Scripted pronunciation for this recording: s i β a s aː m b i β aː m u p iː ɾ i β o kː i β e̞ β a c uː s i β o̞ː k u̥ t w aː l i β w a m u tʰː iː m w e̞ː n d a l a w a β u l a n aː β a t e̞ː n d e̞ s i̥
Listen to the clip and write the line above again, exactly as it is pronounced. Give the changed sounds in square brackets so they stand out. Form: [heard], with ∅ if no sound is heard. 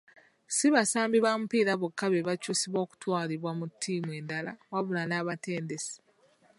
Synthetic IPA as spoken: s i β a s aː m b i β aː m u p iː ɾ [a] β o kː [a] β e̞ β a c uː s i β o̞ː k u̥ t w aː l i β w a m u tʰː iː m w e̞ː n d a l a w a β u l a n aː β a t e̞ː n d e̞ s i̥